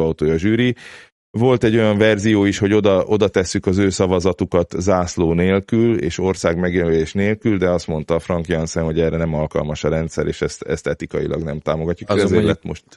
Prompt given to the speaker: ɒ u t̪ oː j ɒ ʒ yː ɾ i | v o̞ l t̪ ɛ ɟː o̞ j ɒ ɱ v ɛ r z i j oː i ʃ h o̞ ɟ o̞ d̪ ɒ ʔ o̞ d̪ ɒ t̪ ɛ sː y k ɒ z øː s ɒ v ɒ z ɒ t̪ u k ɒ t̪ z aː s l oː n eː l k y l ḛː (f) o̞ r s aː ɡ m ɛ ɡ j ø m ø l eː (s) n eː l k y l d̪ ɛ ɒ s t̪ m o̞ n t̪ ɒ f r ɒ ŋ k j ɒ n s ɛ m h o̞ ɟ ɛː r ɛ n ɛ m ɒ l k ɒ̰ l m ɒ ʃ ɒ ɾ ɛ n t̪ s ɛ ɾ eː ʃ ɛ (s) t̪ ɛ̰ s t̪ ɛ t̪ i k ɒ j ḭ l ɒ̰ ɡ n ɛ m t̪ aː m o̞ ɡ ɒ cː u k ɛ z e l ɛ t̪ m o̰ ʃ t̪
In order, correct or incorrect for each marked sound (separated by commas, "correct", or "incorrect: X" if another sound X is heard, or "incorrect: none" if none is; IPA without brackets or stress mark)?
incorrect: ʃ, incorrect: ʃ, correct